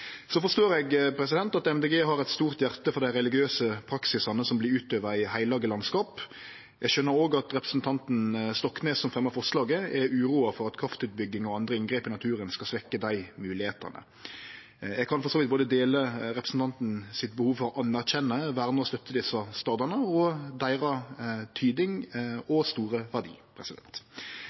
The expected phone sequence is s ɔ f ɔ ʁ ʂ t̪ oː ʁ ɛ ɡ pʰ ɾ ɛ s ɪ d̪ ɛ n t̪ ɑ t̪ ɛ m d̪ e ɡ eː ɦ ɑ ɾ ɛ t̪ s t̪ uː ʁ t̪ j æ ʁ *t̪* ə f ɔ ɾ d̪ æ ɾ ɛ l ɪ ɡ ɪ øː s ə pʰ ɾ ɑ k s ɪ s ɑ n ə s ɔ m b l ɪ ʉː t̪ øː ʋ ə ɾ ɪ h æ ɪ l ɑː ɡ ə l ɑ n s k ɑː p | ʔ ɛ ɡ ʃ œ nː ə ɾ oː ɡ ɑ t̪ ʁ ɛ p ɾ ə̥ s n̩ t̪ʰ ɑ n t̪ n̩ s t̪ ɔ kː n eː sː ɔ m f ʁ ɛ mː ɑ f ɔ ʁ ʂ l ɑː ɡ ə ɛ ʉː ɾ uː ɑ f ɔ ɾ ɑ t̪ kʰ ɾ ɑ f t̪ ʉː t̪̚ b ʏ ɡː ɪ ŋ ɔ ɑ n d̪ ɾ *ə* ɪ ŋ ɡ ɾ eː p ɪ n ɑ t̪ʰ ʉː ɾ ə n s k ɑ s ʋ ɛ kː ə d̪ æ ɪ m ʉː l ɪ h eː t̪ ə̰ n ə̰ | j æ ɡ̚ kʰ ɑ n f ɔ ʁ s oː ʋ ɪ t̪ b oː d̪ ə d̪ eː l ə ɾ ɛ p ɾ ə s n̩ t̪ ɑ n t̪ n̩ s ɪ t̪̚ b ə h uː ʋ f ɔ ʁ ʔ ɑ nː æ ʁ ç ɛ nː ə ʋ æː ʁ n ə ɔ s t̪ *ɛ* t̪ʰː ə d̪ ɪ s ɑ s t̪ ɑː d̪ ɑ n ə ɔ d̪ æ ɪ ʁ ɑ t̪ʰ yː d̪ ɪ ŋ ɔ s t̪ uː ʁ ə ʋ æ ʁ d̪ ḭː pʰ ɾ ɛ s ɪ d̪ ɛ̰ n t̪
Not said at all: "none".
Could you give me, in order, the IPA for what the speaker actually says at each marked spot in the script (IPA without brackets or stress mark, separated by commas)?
t̪, ə, œ